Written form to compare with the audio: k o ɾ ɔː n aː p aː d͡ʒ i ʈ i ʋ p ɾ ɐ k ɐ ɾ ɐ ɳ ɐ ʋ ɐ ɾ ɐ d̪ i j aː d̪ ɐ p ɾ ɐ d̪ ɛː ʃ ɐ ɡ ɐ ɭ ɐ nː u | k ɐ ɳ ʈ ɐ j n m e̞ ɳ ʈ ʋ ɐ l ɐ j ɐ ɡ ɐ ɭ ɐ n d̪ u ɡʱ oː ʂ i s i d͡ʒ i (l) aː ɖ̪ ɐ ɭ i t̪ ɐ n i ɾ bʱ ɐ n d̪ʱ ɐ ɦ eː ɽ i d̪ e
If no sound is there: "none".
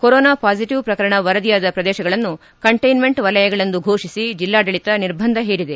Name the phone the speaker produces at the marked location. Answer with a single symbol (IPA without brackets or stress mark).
lː